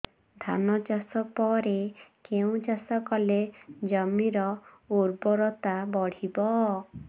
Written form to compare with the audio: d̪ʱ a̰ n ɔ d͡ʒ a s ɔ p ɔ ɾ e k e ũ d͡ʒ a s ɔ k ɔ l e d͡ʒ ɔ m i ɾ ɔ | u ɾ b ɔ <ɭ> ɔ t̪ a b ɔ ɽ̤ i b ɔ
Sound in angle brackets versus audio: incorrect: ɾ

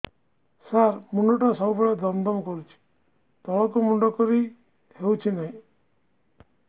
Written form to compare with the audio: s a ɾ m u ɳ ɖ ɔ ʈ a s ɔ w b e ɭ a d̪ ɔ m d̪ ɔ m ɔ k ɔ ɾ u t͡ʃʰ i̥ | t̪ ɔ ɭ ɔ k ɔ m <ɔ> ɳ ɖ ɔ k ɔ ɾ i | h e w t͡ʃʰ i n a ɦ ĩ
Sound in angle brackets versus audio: incorrect: u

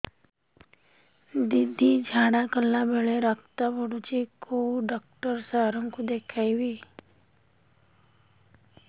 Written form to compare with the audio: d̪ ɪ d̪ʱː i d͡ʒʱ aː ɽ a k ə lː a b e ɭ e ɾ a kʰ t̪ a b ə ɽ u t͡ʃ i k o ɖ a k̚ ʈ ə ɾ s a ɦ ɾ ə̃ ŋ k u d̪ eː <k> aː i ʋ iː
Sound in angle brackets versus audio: incorrect: kʰ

